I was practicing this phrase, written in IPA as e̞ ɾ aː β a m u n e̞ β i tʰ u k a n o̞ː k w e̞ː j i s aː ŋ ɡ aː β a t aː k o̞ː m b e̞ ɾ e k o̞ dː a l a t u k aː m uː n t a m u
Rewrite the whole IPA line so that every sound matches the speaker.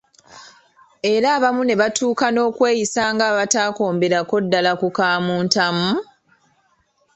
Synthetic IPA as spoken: e̞ ɾ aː β a m u n e̞ β a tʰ uː k a n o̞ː k w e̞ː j i s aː ŋ ɡ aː β a t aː k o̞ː m b e̞ ɾ a k o̞ dː a l a k u k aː m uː n t a m u